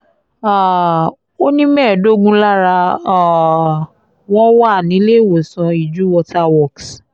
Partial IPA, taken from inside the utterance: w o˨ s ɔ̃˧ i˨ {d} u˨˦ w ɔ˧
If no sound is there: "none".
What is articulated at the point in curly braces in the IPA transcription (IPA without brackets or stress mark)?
d͡ʒ